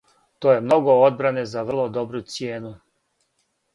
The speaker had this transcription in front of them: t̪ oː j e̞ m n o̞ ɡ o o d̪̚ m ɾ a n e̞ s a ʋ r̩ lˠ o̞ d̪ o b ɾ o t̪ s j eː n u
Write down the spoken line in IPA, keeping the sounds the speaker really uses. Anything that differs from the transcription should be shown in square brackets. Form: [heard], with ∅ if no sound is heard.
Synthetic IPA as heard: t̪ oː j e̞ m n o̞ ɡ o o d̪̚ [b] ɾ a n e̞ [z] a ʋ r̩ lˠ o̞ d̪ o b ɾ [u] t̪ s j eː n u